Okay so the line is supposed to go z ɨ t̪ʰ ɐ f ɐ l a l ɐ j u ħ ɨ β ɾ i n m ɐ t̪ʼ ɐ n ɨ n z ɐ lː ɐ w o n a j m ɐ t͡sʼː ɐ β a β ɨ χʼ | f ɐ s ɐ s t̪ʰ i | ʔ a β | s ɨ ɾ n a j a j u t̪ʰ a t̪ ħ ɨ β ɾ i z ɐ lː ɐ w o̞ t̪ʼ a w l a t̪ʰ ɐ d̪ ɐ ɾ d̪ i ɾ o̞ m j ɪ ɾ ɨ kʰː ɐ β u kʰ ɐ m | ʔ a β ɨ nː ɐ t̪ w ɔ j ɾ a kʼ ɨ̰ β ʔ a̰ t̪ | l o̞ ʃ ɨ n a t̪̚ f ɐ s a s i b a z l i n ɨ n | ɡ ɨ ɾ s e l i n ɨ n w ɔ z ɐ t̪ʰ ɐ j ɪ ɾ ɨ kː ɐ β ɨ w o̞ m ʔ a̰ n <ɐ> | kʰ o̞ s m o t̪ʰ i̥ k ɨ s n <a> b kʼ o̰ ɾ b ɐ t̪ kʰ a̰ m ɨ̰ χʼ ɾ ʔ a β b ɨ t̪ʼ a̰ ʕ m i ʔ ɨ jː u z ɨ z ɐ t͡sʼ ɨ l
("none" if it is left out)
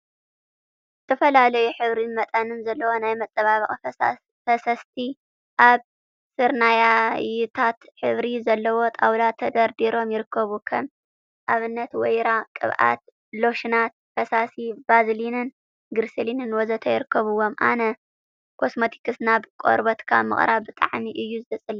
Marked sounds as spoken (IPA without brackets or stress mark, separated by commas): ɐ, a